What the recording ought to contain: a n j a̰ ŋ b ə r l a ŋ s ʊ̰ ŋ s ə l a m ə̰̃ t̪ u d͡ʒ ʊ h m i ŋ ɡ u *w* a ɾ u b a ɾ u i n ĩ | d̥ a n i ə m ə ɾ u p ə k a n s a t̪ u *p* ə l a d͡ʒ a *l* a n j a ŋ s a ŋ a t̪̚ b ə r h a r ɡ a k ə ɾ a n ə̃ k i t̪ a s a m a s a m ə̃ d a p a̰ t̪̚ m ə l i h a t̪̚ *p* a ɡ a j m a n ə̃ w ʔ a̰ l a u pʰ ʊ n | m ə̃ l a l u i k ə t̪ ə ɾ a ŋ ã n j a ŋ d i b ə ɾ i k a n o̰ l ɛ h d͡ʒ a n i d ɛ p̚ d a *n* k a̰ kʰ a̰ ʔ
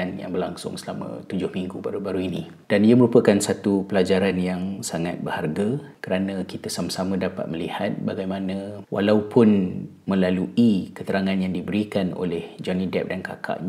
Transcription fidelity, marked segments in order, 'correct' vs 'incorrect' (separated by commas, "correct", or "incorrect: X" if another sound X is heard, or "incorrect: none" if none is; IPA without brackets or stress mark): incorrect: b, correct, incorrect: ɾ, incorrect: b, correct